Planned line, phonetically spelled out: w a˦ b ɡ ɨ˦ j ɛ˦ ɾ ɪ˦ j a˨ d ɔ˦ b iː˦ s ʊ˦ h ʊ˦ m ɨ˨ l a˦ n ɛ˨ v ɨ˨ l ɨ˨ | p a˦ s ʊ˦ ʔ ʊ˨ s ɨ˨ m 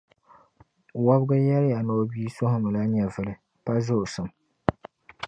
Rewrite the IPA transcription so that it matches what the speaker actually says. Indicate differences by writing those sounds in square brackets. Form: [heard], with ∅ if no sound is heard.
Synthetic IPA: w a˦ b ɡ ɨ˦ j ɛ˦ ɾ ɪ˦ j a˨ [n] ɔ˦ b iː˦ s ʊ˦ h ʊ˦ m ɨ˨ l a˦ [ɲ] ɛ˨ v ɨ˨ l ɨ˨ | p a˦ [z] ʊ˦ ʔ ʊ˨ s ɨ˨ m